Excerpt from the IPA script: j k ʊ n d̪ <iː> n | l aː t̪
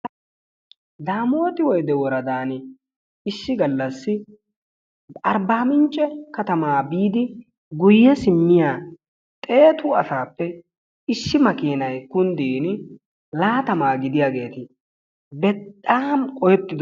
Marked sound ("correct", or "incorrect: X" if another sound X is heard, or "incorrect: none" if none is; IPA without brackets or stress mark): correct